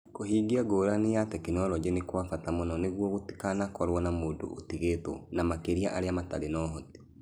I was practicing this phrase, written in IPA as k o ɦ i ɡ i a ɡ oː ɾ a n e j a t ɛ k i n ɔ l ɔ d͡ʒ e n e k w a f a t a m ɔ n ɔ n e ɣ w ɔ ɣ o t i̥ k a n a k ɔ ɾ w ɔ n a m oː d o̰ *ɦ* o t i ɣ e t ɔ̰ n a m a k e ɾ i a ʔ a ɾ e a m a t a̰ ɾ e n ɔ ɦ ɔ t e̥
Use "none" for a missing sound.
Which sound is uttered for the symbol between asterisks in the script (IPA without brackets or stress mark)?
none